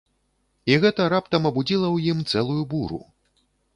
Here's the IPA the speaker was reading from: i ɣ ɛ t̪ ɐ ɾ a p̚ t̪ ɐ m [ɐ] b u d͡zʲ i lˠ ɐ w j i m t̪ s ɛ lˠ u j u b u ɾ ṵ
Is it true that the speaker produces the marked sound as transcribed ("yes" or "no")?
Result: yes